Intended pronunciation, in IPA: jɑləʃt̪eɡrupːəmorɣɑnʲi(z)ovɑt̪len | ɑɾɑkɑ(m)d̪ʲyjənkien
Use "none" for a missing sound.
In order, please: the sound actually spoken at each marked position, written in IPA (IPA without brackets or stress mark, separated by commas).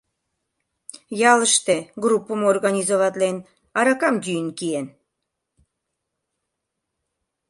z, m